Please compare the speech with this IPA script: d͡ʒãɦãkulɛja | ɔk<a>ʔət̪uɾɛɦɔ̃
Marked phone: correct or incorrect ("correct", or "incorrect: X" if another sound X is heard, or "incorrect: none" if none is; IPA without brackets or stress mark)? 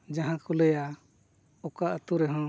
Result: correct